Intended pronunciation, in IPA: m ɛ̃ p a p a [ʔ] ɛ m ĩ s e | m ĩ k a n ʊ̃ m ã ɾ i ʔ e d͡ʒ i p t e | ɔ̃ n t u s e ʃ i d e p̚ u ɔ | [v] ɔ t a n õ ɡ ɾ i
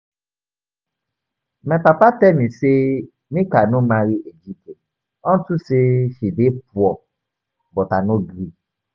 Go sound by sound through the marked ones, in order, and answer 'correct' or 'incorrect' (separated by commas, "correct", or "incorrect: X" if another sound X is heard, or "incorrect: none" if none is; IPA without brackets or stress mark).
incorrect: t, incorrect: b